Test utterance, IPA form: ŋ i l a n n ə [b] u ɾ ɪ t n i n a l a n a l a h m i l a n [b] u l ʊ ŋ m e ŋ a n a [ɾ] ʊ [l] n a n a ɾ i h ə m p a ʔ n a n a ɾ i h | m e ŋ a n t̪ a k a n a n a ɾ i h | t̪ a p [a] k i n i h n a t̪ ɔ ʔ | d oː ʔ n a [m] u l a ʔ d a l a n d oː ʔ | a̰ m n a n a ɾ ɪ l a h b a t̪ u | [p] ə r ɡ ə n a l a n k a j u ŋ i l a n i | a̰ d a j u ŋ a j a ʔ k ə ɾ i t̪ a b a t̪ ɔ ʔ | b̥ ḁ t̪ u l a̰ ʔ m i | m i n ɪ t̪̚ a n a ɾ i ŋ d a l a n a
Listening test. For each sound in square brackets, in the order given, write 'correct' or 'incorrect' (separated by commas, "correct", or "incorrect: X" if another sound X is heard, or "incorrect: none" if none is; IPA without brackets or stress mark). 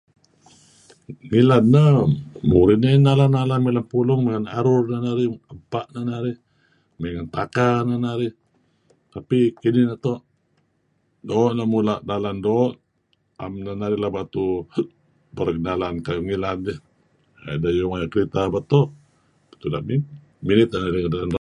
incorrect: m, incorrect: p, correct, incorrect: r, incorrect: i, correct, incorrect: b